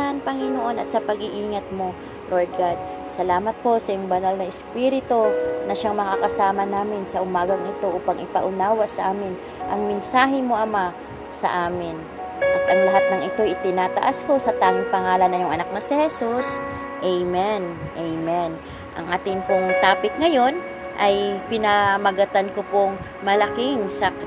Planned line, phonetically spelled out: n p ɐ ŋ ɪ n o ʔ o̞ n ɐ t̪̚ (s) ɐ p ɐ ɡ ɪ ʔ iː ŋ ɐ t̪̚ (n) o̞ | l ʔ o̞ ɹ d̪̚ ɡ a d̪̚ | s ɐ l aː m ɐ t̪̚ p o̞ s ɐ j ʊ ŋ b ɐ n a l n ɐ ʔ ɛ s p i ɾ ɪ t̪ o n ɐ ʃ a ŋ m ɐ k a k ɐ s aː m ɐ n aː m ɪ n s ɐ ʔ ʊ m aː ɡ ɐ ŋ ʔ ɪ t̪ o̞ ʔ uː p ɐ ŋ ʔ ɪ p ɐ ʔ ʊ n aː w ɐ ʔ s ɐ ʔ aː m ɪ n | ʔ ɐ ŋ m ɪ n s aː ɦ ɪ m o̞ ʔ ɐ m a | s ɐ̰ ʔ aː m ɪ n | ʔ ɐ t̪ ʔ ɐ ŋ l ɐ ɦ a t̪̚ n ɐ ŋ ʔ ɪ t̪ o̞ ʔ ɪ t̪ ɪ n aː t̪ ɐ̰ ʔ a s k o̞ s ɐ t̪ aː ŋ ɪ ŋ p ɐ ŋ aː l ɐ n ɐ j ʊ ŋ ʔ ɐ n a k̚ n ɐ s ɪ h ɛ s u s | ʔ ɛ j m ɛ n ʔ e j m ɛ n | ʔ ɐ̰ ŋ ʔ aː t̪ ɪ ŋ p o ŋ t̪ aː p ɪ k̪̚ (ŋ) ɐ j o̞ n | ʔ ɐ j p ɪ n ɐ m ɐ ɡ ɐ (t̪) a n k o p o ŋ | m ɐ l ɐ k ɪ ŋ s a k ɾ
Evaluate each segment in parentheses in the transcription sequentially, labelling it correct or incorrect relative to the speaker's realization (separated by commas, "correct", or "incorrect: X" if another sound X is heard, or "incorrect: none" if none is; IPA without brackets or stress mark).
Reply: correct, incorrect: m, correct, correct